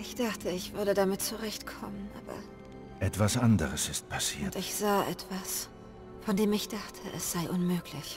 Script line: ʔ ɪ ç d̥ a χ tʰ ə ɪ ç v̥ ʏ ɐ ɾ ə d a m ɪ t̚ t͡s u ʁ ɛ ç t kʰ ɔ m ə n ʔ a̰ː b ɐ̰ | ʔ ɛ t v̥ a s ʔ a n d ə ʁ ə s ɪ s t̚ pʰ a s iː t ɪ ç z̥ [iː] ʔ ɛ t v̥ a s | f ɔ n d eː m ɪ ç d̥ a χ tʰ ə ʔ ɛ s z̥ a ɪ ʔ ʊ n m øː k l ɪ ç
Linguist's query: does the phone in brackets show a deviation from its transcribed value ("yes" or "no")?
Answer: yes